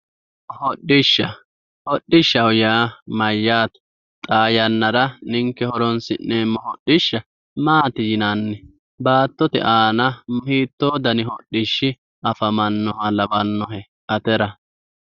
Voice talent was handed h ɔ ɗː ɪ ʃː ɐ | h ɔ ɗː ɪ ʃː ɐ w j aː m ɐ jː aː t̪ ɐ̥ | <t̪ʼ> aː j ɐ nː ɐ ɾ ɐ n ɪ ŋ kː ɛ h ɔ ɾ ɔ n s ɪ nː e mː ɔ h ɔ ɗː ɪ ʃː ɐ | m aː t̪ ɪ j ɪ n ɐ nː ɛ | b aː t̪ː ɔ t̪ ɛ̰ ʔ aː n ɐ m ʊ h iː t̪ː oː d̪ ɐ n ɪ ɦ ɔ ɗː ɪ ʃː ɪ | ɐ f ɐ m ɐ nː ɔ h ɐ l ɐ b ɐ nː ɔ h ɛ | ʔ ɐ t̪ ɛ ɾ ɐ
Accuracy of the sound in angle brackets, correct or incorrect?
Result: correct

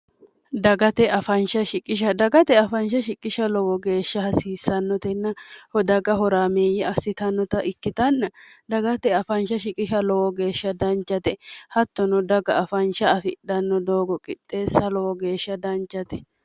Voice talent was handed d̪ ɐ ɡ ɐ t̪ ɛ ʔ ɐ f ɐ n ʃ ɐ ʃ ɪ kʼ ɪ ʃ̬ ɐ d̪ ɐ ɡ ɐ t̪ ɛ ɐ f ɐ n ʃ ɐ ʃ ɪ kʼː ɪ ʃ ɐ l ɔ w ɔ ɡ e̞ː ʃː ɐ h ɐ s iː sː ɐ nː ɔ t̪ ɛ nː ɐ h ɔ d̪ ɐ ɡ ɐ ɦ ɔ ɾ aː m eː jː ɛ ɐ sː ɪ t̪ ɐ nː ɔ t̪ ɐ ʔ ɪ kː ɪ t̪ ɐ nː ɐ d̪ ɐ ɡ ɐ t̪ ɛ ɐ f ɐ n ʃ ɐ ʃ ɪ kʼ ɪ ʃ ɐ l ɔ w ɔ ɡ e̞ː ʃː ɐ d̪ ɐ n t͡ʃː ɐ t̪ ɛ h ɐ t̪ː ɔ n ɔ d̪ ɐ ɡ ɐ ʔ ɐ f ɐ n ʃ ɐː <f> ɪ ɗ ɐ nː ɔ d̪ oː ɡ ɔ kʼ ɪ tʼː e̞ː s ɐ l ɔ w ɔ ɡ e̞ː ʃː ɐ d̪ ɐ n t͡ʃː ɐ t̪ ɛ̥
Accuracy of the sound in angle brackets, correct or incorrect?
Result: correct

